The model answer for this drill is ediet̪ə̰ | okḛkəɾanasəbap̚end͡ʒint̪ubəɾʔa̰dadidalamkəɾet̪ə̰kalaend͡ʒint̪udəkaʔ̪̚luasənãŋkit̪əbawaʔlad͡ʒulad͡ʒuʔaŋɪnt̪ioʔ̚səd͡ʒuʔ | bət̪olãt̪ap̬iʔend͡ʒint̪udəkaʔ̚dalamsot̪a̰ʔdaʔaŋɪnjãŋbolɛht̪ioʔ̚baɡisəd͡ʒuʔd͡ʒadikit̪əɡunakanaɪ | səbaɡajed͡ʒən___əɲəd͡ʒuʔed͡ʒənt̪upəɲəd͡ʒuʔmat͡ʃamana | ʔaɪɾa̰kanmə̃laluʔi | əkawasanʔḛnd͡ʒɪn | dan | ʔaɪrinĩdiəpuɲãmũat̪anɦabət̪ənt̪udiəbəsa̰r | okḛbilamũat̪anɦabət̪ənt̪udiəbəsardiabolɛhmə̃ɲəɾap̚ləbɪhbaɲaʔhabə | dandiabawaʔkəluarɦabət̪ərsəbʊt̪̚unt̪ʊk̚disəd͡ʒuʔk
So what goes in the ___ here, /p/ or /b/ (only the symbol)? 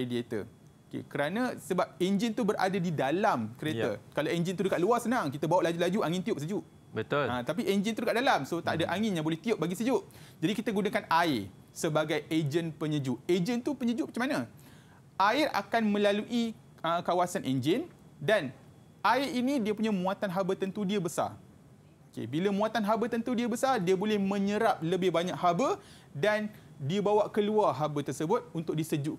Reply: p